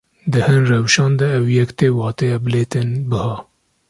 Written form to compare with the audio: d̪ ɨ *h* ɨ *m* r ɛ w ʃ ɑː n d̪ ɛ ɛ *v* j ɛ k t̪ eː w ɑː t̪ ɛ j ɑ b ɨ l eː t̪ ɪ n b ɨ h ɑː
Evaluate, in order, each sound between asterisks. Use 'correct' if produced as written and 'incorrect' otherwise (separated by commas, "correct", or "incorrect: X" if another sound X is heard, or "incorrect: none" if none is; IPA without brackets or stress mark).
correct, incorrect: n, incorrect: w